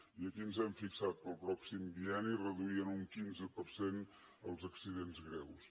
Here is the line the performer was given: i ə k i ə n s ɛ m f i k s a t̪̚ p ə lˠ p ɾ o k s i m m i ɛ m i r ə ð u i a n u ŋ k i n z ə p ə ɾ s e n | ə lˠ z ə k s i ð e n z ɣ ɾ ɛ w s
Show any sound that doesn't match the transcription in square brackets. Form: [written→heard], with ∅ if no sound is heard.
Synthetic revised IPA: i ə k i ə n [s→z] ɛ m f i k s a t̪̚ p ə lˠ p ɾ [o→ɔ] k s i m [m→b] i ɛ [m→n] i r ə ð u i [a→ə] n u ŋ k i n z ə p ə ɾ s e n | ə lˠ z ə k s i ð e n z ɣ ɾ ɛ w s